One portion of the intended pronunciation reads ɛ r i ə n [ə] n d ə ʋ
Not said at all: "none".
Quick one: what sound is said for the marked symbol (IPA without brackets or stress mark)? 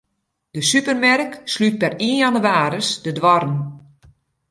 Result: a